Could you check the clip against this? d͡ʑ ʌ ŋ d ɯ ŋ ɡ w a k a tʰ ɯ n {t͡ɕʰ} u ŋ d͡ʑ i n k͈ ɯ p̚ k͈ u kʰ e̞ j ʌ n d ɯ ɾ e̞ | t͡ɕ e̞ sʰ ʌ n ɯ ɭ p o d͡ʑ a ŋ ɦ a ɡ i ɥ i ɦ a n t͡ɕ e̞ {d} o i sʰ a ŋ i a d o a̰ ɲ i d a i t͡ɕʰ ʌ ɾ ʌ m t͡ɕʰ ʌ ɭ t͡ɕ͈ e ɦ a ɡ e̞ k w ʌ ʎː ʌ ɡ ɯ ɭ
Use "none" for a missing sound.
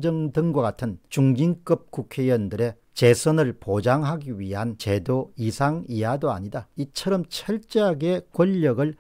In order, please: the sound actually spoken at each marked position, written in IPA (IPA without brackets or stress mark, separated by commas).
t͡ɕ, d